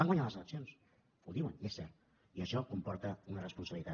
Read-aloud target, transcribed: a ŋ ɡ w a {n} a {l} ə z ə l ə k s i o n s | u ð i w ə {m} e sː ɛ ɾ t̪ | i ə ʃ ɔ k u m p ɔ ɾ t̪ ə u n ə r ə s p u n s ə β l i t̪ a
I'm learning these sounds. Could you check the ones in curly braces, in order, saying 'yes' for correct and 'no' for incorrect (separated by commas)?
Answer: no, yes, no